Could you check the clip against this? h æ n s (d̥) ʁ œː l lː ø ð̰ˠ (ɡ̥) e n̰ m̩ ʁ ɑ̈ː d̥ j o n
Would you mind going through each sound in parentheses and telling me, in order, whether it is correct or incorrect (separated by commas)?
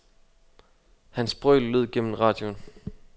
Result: incorrect, correct